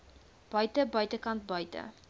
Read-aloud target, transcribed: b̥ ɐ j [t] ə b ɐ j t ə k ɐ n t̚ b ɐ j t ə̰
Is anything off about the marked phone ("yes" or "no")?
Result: no